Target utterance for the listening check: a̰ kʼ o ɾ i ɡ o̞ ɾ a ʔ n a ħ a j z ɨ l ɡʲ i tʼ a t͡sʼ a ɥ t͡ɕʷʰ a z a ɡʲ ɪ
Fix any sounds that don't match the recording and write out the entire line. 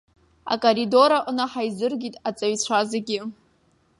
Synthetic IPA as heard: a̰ kʼ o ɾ i d o̞ ɾ a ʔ n a ħ a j z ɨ r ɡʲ i tʼ a t͡sʼ a ɥ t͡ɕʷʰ a z a ɡʲ ɪ